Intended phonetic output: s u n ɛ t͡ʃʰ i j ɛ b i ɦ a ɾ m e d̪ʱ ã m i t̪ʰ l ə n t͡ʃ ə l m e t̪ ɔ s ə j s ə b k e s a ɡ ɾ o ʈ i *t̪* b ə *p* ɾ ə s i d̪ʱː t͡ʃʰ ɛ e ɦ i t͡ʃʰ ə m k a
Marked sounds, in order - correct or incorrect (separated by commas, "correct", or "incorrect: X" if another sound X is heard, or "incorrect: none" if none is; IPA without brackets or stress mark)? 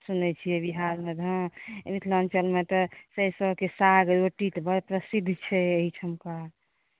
correct, correct